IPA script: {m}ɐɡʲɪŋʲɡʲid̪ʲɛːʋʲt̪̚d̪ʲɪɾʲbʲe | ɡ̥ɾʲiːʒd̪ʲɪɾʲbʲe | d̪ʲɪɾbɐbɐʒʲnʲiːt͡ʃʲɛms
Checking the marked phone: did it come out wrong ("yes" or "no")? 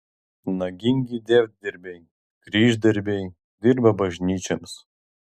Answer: yes